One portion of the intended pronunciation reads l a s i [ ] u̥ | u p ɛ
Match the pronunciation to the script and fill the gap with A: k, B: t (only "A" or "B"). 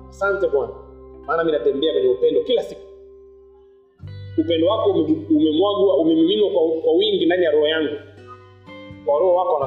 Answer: A